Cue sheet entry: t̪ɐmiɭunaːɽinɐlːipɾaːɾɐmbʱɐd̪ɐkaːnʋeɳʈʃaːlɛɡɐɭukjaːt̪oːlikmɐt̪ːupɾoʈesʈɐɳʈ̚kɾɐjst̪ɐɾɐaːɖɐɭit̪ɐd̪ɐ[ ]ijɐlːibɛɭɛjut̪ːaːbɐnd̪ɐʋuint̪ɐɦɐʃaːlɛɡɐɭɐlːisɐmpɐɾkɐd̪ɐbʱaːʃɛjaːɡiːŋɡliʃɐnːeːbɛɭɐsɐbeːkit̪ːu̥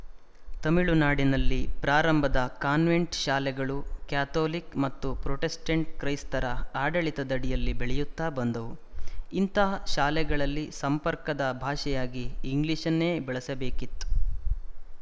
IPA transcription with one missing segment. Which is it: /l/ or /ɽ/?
ɽ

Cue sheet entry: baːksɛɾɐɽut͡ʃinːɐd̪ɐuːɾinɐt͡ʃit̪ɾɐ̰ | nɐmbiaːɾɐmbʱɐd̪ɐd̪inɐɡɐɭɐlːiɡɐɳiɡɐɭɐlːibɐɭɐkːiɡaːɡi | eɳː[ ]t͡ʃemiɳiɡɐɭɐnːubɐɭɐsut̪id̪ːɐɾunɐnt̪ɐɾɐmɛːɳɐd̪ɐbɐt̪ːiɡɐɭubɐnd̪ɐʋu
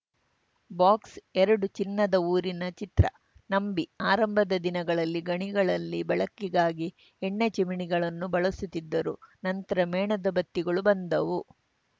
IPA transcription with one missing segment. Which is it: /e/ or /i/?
e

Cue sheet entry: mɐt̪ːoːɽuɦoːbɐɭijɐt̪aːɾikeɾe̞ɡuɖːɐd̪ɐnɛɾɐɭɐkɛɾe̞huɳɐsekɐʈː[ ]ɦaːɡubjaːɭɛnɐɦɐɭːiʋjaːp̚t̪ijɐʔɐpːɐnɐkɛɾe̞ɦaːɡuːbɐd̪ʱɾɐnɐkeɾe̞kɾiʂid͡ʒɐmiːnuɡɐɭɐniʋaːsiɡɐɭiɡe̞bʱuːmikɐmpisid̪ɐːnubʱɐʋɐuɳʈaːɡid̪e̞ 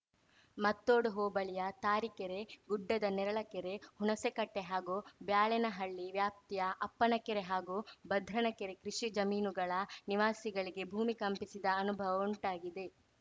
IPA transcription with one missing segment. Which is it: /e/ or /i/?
e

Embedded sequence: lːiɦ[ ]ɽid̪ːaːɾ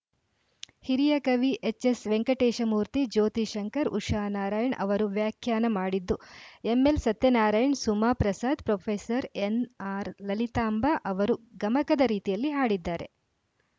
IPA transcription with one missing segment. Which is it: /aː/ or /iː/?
aː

